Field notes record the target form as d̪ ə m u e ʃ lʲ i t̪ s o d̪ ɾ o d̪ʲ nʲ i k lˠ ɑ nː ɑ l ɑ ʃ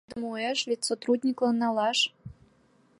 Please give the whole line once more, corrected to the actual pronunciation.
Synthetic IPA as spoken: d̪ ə m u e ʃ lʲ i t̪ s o t̪ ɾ u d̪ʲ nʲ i k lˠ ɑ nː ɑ l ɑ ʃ